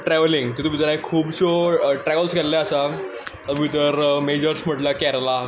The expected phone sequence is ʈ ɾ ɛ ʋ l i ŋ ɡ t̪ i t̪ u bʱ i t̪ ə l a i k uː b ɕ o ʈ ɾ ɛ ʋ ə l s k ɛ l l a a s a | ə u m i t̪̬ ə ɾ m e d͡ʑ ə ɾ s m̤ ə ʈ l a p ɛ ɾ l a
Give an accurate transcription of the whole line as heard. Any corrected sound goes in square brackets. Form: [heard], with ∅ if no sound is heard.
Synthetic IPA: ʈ ɾ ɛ ʋ l i ŋ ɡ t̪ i t̪ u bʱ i t̪ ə [ɾ] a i [kʰ] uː b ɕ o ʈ ɾ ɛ ʋ ə l s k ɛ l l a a s a | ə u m i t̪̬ ə ɾ m e d͡ʑ ə ɾ s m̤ ə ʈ l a [k] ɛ ɾ l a